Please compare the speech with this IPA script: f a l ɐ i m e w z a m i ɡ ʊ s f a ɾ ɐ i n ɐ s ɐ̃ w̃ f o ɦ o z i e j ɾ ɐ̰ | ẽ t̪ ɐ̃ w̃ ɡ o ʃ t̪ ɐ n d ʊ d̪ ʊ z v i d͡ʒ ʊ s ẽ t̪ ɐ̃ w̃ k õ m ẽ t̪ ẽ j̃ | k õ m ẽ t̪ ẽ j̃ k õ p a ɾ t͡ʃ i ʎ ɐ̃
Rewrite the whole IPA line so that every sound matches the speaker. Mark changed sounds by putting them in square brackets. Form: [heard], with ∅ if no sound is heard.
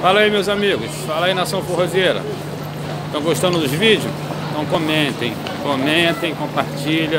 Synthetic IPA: f a l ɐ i m e w z a m i ɡ ʊ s f a [l] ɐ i n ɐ s ɐ̃ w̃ f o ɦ o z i e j ɾ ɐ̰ | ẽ t̪ ɐ̃ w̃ ɡ o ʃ t̪ [ɐ̃] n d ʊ d̪ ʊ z v i d͡ʒ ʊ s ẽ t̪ ɐ̃ w̃ k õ m ẽ t̪ ẽ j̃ | k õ m ẽ t̪ ẽ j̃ k õ p a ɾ t͡ʃ i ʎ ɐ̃